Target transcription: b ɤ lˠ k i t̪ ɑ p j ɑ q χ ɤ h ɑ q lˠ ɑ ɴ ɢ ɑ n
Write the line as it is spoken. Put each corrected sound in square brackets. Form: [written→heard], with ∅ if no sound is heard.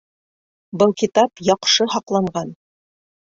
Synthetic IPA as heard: b ɤ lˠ k i t̪ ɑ p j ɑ q [χ→ʃ] ɤ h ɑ q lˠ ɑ ɴ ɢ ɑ n